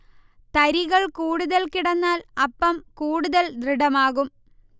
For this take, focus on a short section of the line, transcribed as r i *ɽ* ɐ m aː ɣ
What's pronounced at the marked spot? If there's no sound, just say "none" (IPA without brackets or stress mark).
ɽ